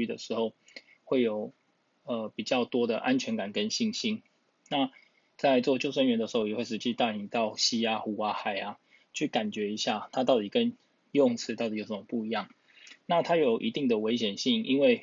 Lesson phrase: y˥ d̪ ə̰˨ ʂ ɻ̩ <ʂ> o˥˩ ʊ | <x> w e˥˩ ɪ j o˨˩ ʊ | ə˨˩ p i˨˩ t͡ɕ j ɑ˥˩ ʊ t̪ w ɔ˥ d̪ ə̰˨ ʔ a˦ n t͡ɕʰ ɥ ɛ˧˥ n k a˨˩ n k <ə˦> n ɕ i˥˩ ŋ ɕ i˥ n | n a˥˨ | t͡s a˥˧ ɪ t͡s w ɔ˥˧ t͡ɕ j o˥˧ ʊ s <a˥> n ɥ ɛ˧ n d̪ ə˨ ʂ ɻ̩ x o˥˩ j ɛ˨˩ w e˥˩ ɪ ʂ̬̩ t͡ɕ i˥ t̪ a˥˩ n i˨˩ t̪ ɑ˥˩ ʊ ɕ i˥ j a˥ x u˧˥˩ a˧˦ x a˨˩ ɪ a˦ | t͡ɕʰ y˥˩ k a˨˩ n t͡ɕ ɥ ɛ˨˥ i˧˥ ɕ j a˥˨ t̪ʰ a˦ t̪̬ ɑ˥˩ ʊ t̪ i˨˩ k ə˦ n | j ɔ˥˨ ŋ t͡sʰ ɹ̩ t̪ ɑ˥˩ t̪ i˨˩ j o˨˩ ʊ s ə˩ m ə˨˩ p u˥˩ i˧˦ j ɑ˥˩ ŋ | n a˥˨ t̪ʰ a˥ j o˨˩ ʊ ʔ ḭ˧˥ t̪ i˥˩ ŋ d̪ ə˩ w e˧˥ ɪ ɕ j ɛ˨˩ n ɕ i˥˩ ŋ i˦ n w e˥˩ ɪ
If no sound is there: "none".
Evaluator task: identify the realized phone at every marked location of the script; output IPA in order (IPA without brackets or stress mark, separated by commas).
x, x, ə˦, ə˥